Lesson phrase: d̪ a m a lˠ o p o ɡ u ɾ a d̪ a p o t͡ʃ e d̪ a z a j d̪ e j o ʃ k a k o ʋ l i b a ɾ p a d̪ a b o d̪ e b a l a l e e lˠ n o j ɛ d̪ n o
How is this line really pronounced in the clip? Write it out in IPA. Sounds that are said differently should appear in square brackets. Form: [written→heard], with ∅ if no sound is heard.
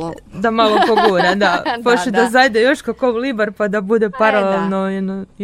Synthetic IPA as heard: d̪ a m a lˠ o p o ɡ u ɾ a d̪ a p o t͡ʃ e d̪ a z a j d̪ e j o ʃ k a k o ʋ l i b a ɾ p a d̪ a b [o→u] d̪ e [b→p] a [l→ɾ] a l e e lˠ n o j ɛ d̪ n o